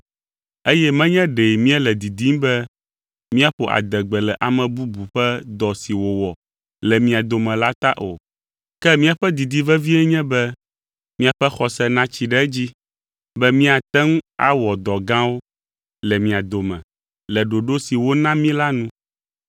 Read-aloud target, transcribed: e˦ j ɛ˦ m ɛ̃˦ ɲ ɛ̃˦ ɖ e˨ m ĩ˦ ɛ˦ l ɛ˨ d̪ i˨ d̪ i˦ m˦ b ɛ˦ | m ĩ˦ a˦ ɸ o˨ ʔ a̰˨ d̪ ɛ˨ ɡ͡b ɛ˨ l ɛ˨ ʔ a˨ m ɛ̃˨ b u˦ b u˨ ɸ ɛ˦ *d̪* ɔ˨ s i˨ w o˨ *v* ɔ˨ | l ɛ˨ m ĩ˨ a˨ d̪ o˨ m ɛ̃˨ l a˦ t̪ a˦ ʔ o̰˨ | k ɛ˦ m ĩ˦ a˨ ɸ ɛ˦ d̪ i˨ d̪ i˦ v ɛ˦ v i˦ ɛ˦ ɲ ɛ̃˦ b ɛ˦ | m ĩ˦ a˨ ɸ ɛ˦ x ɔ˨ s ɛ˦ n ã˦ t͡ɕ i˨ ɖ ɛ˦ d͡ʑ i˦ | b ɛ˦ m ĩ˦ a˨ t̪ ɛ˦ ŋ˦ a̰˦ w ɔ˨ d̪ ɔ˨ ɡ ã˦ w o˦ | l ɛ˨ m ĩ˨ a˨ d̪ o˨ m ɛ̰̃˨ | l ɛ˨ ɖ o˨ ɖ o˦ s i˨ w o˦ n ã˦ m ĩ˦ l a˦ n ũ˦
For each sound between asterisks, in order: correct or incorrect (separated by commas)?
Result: correct, incorrect